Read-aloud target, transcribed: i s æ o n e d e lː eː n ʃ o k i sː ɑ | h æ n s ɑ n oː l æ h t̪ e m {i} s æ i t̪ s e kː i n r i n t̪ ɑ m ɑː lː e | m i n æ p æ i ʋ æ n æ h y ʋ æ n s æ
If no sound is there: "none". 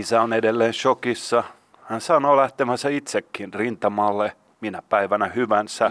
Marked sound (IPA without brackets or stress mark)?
æ